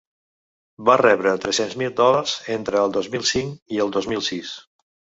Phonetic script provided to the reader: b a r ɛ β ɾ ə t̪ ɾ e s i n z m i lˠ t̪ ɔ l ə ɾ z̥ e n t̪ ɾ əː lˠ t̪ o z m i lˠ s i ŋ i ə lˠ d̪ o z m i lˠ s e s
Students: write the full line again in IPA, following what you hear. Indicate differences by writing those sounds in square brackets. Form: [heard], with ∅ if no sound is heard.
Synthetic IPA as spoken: b a r ɛ β ɾ ə t̪ ɾ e s [e] n z m i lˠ [d̪] ɔ l ə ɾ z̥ e n t̪ ɾ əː lˠ [d̪] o z m i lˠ s i ŋ i ə lˠ d̪ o z m i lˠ s [i] s

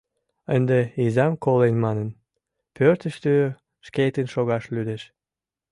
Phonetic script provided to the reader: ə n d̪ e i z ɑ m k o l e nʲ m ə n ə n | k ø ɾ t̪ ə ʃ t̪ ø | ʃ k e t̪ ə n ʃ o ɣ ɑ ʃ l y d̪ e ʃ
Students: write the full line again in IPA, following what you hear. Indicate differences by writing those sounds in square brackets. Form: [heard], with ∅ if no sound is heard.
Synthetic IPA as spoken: ə n d̪ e i z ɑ m k o l e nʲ m [ɑ] n ə n | [p] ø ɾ t̪ ə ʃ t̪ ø | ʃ k e t̪ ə n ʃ o ɣ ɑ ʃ l y d̪ e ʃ

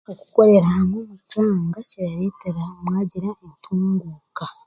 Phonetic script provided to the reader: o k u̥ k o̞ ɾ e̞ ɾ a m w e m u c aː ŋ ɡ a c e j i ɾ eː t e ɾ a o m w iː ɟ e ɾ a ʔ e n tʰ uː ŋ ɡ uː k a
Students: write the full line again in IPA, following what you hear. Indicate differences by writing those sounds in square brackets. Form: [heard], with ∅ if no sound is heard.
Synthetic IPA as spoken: o k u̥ k o̞ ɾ e̞ ɾ a m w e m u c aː ŋ ɡ a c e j [a] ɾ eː t e ɾ a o m w [aː] ɟ [i] ɾ a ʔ e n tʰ uː ŋ ɡ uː k a

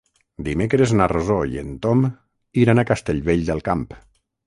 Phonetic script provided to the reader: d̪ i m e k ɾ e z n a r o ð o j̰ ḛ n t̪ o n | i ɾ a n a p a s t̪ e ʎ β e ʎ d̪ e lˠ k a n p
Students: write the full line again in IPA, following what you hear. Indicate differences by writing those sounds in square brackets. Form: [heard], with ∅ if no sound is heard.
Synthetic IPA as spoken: d̪ i m e k ɾ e z n a r o [z] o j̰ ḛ n t̪ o [m] | i ɾ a n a [k] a s t̪ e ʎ β e ʎ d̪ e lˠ k a [m] p

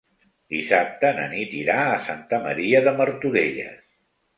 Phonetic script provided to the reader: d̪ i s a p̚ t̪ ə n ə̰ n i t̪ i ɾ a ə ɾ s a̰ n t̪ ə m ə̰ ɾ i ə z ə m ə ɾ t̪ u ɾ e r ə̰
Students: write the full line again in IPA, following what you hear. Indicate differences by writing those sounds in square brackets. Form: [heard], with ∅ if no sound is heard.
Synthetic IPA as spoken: d̪ i s a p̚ t̪ ə n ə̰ n i t̪ i ɾ a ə [∅] s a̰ n t̪ ə m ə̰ ɾ i ə [ð] ə m ə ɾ t̪ u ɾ e [ʎ] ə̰

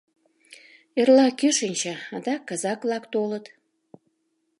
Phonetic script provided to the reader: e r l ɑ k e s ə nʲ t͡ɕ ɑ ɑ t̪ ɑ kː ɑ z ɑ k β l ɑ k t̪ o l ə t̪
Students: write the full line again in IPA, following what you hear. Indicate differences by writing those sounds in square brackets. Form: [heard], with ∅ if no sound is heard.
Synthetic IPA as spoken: e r l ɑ k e [ʃ] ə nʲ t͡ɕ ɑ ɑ [d̪] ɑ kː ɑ z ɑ k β l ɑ k t̪ o l ə t̪

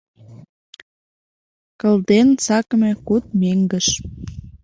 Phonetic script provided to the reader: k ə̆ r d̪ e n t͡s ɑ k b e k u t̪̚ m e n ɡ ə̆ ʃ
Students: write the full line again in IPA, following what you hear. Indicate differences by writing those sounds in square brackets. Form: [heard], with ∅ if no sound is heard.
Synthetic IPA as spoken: k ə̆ [l] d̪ e n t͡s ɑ k [m] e k u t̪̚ m e [ŋ] ɡ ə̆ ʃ

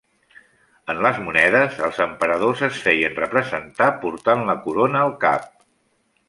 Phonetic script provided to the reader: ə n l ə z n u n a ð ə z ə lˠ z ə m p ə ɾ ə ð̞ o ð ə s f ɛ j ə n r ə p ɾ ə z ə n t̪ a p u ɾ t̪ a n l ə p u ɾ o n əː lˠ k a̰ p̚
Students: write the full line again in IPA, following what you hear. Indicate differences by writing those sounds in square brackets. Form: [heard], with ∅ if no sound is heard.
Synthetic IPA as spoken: ə n l ə z [m] u n [ɛ] ð ə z ə lˠ z ə m p ə ɾ ə ð̞ o [z] ə s f ɛ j ə n r ə p ɾ ə z ə n t̪ a p u ɾ t̪ a n l ə [k] u ɾ o n əː lˠ k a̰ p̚

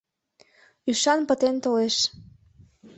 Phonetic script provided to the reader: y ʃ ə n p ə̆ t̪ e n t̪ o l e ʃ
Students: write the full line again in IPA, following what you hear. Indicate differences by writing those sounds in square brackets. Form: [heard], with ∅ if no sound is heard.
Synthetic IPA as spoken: y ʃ [ɑ] n p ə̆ t̪ e n t̪ o l e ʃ

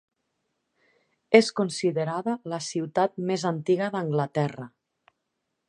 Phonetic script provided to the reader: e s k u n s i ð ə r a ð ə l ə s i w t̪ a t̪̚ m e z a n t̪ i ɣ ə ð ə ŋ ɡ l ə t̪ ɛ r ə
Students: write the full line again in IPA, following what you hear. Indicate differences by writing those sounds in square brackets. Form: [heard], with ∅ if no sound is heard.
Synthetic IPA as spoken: e s k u n s i ð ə [ɾ] a ð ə l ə s i w t̪ a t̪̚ m e z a n t̪ i ɣ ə ð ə ŋ ɡ l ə t̪ ɛ r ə

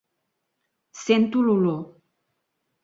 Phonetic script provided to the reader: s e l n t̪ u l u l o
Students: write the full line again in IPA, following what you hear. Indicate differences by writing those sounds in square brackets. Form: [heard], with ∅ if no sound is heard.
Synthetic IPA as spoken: s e [∅] n t̪ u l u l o

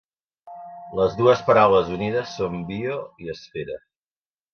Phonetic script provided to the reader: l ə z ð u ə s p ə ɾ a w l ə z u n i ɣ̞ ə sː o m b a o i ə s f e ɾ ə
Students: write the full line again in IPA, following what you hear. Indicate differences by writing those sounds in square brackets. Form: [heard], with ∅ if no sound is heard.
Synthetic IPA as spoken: l ə z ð u ə s p ə ɾ a w l ə z u n i [ð̞] ə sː o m b [i] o i ə s f e ɾ ə

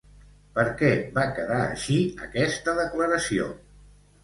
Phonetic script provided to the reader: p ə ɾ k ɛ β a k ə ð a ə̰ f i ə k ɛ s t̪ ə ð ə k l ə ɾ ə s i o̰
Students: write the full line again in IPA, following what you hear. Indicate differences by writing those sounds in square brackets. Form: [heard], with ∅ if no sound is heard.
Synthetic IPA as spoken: p ə ɾ k ɛ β a k ə ð a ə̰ [ʃ] i ə k ɛ s t̪ ə ð ə k l ə ɾ ə s i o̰

